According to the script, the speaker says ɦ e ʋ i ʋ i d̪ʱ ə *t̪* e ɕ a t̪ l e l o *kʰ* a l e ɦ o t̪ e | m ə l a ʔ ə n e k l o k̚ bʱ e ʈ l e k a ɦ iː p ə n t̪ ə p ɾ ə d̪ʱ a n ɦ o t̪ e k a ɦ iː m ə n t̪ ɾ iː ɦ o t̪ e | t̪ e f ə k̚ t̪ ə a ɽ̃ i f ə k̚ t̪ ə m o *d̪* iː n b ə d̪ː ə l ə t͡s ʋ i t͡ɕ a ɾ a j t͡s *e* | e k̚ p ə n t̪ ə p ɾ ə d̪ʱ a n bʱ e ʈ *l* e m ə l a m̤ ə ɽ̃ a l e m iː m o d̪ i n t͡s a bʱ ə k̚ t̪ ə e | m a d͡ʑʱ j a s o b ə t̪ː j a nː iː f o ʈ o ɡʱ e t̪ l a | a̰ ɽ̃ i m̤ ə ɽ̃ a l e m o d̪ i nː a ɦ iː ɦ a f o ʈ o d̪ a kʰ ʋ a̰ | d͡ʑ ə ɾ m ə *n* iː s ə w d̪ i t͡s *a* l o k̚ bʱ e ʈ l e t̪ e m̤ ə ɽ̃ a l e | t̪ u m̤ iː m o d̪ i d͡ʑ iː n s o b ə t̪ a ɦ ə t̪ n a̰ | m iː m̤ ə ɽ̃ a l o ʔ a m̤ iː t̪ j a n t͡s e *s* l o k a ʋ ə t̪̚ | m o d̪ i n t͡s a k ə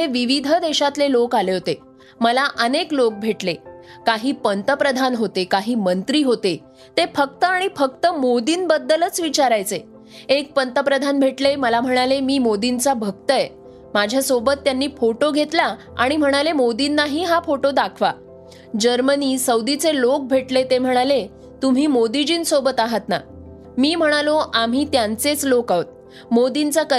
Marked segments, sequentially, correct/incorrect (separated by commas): incorrect, incorrect, correct, correct, correct, correct, incorrect, incorrect